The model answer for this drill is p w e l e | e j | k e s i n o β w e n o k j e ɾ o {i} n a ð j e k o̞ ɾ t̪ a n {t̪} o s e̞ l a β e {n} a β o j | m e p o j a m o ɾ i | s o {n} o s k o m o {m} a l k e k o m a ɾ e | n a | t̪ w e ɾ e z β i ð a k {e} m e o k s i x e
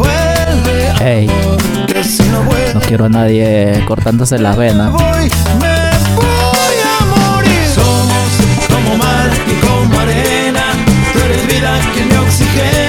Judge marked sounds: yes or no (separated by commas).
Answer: no, no, yes, no, yes, yes